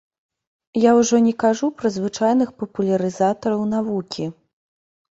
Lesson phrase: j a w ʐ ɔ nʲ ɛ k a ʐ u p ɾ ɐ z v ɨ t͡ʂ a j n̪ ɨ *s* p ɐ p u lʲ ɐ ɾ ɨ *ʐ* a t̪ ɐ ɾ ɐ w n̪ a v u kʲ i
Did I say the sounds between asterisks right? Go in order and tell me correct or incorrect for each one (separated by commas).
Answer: incorrect, incorrect